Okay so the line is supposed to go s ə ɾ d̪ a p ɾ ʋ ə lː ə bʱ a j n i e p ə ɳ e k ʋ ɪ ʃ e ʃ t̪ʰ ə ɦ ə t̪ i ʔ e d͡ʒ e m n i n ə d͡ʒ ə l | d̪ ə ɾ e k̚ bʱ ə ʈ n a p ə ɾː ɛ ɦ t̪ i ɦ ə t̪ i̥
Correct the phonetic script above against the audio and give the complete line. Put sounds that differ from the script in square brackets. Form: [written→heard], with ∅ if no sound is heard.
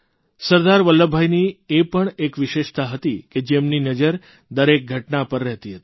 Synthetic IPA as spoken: s ə ɾ d̪ a [p→∅] ɾ ʋ ə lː ə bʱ a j n i e p ə ɳ e k ʋ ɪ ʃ e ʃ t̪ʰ [ə→a] ɦ ə t̪ i [ʔ→k] e d͡ʒ e m n i n ə d͡ʒ ə [l→ɾ] | d̪ ə ɾ e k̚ [bʱ→ɡʱ] ə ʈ n a p ə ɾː ɛ ɦ t̪ i ɦ ə t̪ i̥